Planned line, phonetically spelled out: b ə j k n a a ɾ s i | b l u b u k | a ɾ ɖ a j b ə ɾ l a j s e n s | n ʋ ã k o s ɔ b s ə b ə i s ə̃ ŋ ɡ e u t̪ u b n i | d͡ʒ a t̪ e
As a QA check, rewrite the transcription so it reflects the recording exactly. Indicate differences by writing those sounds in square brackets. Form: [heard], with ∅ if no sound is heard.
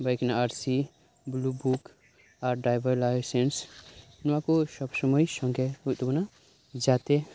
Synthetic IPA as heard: b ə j k n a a ɾ s i | b l u b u k | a ɾ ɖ a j b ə ɾ l a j s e n s | n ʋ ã k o s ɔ b s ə [m] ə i s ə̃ ŋ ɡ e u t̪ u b n [a] | d͡ʒ a t̪ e